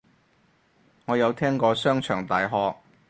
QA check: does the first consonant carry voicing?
yes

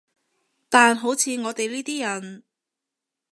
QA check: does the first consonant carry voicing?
no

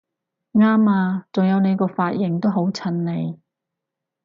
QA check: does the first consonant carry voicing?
yes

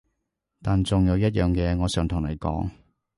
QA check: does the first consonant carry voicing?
no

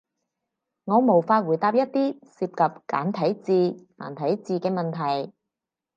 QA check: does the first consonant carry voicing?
yes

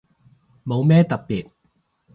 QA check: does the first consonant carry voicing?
yes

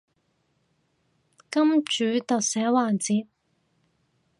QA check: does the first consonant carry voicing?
no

